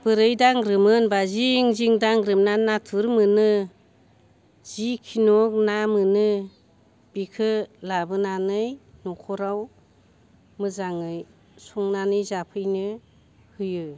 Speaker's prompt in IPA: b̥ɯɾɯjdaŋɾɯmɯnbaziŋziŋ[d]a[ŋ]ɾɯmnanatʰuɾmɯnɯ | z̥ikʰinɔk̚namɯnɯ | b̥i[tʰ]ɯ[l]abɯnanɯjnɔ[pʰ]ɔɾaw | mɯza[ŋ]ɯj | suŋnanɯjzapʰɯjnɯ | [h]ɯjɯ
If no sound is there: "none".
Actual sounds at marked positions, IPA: d, ŋ, kʰ, l, kʰ, ŋ, h

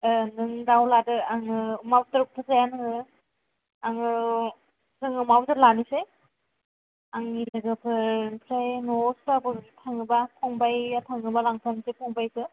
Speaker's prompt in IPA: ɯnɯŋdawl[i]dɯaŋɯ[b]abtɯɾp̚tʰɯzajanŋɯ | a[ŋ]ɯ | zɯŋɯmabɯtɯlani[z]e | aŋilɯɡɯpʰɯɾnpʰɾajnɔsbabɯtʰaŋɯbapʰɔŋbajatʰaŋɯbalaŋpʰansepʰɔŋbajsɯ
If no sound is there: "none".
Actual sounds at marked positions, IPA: a, m, ŋ, s

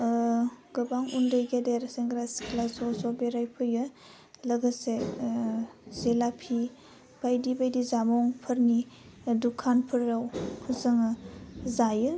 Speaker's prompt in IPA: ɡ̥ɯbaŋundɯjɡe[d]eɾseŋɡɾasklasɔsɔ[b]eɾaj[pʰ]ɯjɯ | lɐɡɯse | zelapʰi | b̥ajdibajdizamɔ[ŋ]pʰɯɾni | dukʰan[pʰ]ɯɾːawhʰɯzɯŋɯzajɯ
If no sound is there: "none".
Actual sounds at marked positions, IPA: d, b, pʰ, ŋ, pʰ

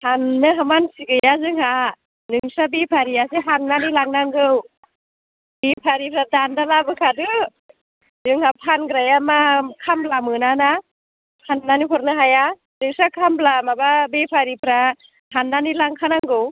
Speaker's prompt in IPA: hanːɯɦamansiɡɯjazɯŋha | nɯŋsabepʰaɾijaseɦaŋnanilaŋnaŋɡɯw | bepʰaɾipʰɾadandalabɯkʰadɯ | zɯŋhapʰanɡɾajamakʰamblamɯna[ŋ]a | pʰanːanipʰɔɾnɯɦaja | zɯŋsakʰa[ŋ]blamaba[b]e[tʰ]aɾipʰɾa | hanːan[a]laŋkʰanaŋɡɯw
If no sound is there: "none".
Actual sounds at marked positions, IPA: n, m, b, pʰ, i

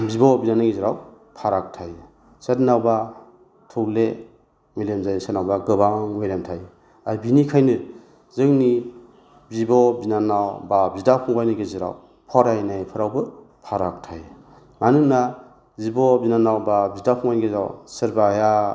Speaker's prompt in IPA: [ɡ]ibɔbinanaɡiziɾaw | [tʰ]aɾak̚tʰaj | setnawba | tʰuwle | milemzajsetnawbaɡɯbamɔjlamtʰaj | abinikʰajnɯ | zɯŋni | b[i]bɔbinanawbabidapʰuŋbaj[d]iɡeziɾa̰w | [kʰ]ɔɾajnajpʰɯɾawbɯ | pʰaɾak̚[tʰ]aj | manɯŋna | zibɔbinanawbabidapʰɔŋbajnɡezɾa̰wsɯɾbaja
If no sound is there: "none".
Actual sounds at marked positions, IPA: b, pʰ, i, n, pʰ, tʰ

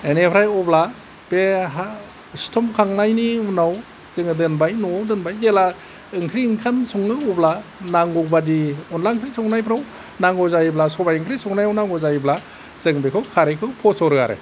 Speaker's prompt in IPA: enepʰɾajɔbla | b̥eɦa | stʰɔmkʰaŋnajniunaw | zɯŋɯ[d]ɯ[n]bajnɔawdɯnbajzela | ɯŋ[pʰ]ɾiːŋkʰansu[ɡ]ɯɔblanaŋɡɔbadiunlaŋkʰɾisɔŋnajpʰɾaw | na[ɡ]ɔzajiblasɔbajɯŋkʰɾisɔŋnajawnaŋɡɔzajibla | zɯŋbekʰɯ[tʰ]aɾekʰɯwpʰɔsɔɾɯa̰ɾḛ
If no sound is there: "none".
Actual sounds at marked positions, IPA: d, n, kʰ, ŋ, ŋ, kʰ

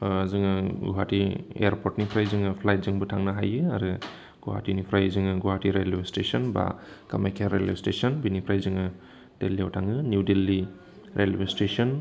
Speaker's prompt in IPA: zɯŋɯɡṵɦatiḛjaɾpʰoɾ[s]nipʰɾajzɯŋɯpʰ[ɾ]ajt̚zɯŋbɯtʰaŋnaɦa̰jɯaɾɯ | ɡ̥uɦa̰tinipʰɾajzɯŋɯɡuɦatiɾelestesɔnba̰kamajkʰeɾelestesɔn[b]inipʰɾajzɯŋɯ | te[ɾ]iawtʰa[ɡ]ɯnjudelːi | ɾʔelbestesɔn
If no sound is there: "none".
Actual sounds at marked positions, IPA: t, l, b, l, ŋ

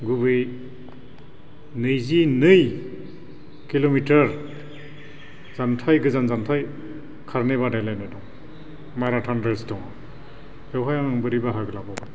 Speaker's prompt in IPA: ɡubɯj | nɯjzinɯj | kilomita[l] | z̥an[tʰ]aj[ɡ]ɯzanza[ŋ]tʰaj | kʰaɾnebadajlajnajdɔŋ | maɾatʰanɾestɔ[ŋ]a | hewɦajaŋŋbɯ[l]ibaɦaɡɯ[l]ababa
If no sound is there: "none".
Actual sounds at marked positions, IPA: ɾ, tʰ, ɡ, n, ŋ, ɾ, l

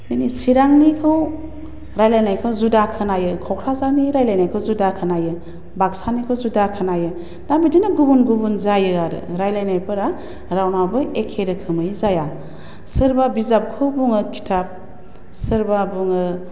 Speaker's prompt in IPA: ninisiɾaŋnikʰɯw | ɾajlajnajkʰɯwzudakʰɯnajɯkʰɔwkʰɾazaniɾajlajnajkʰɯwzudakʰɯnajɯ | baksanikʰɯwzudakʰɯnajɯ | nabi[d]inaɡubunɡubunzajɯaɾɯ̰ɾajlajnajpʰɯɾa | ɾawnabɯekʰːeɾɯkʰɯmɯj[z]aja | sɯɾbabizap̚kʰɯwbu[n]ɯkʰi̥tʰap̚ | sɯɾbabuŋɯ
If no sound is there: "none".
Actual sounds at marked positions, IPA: d, z, ŋ

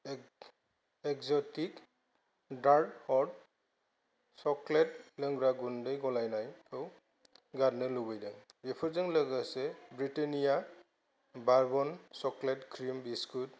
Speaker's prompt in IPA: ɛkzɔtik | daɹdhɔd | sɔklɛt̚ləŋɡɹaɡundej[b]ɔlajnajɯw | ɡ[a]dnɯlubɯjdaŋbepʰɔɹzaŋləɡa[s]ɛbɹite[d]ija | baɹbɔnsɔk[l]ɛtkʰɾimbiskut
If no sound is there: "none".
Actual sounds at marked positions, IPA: ɡ, a, s, n, l

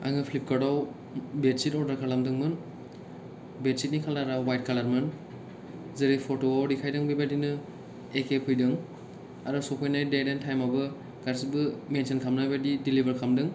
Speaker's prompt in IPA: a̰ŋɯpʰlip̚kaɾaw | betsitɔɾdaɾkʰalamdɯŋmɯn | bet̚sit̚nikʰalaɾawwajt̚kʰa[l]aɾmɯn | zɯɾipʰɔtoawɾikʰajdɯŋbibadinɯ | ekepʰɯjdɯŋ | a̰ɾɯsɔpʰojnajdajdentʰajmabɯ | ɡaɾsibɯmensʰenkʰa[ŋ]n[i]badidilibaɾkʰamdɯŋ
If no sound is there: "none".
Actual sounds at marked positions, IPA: l, m, a

